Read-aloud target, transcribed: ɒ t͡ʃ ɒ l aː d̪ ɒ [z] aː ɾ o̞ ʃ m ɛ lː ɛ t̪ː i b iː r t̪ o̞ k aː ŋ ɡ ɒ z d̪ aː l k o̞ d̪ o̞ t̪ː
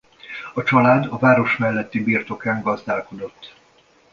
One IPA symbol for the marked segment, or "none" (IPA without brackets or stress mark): v